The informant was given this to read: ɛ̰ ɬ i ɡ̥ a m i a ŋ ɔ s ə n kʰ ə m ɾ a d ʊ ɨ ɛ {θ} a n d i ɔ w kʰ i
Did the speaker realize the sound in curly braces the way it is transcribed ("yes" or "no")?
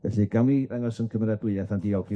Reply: yes